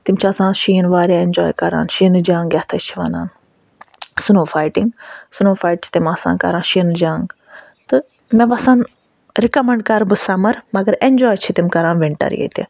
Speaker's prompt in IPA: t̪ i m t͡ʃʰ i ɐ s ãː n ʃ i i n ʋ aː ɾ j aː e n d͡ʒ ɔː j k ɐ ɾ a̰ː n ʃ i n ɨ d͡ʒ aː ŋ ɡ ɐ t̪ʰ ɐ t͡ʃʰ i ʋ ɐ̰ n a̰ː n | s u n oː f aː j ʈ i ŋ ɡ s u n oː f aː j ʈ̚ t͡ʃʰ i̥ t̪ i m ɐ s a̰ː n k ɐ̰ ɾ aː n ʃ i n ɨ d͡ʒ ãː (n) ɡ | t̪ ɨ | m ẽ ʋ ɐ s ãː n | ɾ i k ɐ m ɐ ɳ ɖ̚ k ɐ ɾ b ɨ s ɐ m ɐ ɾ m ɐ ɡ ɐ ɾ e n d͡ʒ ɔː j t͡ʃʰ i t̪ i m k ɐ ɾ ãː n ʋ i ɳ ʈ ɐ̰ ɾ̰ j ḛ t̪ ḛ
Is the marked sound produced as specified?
no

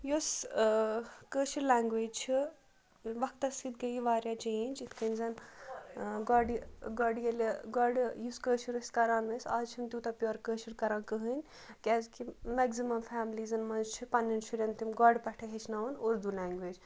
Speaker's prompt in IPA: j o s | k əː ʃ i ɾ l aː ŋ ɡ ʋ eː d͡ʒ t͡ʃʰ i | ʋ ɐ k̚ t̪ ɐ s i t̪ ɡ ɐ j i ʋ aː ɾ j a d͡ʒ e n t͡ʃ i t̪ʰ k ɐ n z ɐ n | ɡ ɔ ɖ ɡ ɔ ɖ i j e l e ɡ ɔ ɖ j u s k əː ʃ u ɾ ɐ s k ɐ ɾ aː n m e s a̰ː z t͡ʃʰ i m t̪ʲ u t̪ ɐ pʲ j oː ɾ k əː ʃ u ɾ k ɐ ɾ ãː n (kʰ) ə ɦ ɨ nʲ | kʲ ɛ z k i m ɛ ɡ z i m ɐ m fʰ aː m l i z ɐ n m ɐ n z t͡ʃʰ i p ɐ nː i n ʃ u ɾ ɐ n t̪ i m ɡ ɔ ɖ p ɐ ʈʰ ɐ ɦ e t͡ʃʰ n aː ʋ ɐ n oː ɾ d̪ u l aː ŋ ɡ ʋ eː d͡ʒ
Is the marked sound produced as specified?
no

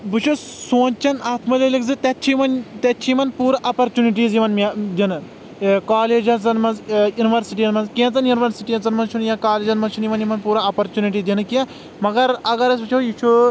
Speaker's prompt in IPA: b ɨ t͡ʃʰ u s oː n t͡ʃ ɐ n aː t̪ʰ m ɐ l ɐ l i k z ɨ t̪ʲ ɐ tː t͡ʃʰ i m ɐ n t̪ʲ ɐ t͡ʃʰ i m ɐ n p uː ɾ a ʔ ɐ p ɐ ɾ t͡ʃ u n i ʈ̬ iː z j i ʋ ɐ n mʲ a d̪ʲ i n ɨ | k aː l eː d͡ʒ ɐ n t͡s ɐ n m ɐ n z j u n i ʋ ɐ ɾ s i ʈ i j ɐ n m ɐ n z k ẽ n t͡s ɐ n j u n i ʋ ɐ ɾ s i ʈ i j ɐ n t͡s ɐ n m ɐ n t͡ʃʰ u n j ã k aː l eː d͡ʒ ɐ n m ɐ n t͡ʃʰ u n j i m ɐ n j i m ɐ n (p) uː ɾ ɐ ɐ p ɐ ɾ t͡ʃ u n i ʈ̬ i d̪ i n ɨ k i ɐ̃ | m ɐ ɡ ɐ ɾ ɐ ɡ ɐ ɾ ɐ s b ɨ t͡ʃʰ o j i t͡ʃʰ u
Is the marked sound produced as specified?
yes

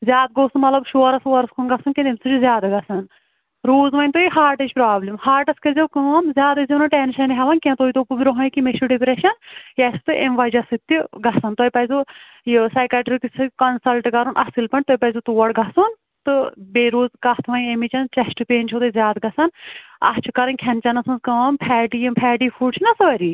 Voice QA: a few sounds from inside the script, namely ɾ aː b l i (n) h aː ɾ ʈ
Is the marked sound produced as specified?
no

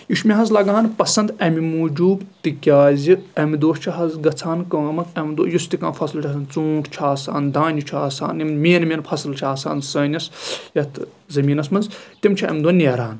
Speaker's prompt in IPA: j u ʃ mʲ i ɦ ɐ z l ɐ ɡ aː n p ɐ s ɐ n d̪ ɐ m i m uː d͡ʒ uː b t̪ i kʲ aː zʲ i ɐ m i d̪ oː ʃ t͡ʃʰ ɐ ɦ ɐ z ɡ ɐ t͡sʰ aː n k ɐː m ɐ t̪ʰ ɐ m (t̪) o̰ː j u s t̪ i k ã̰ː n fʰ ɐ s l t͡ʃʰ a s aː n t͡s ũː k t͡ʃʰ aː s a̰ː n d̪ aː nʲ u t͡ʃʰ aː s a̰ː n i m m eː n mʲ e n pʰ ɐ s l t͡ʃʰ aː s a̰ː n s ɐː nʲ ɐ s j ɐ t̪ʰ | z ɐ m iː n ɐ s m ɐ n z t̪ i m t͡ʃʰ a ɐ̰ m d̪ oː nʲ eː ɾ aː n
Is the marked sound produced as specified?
no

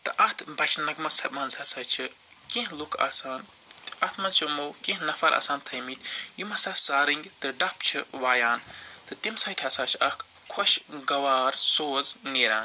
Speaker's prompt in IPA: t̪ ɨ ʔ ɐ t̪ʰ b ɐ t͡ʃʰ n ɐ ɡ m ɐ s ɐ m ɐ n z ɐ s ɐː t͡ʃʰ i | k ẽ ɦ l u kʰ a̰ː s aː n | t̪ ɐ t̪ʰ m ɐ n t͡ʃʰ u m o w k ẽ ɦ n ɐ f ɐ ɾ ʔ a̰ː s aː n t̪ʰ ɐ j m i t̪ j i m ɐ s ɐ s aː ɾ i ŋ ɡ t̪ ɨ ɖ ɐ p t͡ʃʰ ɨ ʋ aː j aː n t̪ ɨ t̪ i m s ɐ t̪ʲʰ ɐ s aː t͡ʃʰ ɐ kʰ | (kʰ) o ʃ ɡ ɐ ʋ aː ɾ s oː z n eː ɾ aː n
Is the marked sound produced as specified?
yes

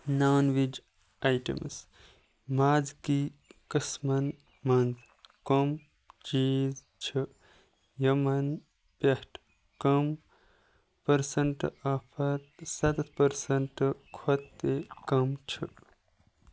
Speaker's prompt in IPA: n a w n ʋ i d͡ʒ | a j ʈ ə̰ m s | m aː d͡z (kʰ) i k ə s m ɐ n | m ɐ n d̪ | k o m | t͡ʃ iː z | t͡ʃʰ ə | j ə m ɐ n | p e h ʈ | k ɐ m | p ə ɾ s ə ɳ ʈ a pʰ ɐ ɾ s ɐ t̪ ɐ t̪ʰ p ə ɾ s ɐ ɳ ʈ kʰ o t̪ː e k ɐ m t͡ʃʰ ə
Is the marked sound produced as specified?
no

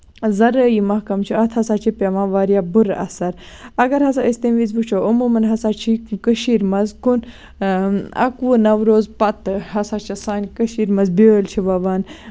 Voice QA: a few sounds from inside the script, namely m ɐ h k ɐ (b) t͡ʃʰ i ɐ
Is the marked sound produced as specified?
no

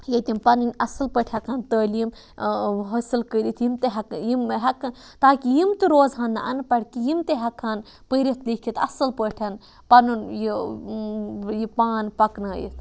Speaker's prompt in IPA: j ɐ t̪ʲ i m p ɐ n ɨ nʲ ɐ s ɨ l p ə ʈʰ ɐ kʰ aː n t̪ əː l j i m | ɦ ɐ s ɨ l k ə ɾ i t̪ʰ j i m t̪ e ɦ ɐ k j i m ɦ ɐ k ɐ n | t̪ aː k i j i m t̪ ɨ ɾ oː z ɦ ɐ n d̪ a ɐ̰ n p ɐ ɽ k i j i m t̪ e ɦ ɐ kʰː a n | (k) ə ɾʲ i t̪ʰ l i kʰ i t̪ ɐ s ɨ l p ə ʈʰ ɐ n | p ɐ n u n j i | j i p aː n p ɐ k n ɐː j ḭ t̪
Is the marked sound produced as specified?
no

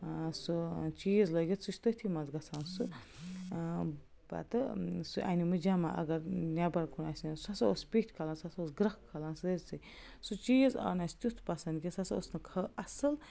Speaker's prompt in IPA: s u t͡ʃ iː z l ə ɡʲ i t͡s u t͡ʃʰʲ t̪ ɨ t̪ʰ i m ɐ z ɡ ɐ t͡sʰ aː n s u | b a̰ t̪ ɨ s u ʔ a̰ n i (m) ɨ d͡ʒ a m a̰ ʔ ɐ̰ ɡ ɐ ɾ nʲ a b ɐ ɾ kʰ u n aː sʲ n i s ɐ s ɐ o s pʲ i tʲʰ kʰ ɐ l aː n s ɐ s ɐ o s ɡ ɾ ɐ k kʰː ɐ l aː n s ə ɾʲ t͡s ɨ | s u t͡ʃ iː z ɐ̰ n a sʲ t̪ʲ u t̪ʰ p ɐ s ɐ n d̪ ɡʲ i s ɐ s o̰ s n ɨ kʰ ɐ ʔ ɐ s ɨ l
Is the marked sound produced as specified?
yes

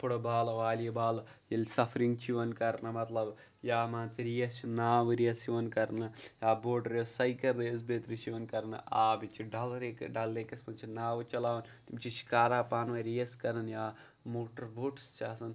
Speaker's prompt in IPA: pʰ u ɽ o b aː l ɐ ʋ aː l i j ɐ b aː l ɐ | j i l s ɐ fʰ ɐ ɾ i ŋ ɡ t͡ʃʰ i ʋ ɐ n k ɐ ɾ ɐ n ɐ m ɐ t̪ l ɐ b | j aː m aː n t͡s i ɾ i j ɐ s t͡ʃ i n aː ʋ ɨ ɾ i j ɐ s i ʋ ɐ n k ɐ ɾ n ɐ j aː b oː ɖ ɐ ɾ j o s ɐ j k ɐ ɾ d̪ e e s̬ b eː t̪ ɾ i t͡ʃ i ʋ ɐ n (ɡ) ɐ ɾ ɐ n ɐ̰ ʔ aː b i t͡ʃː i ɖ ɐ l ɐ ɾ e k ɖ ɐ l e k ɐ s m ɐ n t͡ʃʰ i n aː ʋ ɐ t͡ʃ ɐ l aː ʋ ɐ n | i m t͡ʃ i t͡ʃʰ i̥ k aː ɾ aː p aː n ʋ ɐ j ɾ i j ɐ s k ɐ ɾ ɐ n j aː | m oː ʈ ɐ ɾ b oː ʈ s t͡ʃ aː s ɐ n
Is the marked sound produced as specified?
no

